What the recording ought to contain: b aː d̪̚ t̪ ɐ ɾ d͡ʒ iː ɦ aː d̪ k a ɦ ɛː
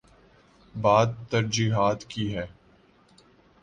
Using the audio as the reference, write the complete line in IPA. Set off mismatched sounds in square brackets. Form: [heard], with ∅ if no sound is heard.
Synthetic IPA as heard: b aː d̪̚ t̪ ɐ ɾ d͡ʒ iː ɦ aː [t̪] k [i] ɦ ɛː